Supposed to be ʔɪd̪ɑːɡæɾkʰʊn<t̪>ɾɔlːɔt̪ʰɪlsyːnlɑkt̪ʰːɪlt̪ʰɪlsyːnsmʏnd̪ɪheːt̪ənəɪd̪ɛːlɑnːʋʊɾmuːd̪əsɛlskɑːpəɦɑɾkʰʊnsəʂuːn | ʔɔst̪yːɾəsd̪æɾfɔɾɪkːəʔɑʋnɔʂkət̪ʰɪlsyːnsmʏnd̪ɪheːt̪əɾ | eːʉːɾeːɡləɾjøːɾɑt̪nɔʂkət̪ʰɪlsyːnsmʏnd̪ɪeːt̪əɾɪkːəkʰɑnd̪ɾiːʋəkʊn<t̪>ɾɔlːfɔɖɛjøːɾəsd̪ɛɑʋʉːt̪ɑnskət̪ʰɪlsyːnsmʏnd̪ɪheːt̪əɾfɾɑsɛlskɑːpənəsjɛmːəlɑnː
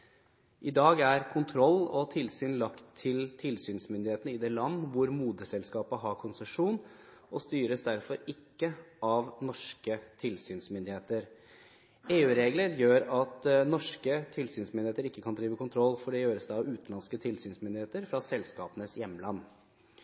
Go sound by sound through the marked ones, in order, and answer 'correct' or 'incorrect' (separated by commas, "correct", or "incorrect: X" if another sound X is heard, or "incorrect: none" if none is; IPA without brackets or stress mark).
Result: incorrect: t̪ʰ, incorrect: t̪ʰ